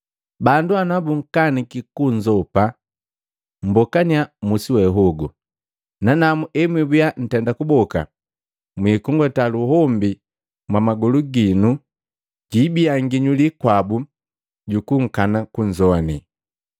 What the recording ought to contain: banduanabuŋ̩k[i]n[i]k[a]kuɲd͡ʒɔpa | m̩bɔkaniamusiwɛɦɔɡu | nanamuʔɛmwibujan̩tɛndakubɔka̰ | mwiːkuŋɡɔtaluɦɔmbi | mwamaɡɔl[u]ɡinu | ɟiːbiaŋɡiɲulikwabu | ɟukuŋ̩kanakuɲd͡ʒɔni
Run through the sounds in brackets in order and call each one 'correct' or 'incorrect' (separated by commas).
incorrect, correct, incorrect, correct